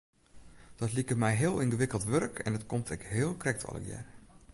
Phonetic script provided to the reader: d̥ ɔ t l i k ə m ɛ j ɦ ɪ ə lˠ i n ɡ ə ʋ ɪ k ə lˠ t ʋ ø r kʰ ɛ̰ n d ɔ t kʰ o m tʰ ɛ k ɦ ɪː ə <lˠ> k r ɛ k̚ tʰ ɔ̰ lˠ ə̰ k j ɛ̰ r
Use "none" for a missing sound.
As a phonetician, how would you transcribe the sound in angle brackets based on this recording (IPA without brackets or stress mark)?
lˠ